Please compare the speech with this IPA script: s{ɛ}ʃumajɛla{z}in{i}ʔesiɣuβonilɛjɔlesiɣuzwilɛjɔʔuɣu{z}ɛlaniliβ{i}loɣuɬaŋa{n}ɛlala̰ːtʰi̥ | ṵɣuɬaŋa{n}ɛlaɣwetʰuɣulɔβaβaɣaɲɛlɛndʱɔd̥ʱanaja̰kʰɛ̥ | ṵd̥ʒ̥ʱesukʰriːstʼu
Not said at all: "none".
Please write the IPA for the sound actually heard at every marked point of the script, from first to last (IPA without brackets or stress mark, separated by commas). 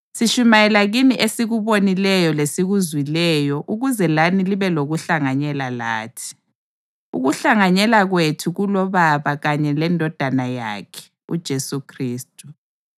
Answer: i, ɣ, i, z, ɛ, ɲ, ɲ